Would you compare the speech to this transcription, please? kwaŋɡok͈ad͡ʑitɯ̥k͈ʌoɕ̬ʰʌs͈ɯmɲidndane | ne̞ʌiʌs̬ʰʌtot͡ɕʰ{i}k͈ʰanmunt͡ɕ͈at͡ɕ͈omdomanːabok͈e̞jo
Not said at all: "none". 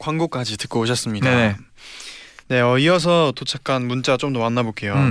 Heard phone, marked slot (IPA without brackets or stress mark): a